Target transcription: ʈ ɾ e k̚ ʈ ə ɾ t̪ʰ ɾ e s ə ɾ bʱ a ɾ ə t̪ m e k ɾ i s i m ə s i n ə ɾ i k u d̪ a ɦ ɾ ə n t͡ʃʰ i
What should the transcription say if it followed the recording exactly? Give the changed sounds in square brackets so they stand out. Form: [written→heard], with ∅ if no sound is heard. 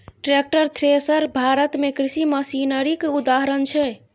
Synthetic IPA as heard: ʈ ɾ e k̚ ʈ ə ɾ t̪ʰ ɾ e s ə ɾ bʱ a ɾ ə t̪ m e k ɾ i s i m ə s i n ə ɾ i k u d̪ a ɦ ɾ ə n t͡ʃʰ [i→ɛ]